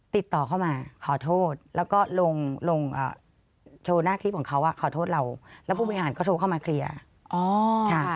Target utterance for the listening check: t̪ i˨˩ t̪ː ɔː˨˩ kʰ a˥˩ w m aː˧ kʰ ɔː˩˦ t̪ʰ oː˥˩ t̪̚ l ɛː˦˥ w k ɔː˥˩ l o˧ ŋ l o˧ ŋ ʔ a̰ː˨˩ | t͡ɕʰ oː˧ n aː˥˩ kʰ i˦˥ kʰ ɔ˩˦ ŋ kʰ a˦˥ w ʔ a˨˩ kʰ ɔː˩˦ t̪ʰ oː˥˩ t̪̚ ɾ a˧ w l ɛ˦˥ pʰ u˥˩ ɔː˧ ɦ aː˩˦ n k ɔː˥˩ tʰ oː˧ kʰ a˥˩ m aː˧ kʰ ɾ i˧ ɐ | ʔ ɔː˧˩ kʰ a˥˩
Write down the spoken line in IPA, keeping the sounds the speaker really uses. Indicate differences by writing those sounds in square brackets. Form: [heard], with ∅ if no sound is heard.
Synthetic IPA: t̪ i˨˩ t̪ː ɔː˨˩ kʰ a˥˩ w m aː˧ kʰ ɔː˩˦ t̪ʰ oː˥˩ t̪̚ l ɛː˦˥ w k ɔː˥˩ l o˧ ŋ l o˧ ŋ ʔ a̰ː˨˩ | t͡ɕʰ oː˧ n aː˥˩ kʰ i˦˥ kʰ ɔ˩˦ ŋ kʰ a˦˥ w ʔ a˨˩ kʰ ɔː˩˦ t̪ʰ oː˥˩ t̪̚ ɾ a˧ w l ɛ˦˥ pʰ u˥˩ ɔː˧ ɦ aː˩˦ n k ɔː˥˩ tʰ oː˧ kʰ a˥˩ m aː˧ kʰ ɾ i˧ ɐ | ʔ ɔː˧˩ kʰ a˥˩